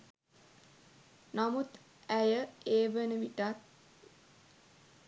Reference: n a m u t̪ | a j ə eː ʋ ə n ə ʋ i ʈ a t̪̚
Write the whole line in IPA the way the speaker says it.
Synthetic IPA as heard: n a m u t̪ | æ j ə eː ʋ ə n ə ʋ i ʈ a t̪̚